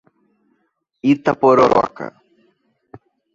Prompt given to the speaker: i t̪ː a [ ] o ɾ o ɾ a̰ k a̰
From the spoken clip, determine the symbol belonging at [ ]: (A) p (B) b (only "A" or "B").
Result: A